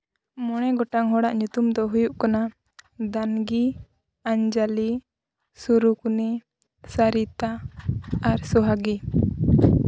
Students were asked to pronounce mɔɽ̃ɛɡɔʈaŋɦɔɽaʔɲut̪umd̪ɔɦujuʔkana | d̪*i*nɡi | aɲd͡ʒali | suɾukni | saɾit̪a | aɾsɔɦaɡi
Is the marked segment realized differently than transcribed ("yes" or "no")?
yes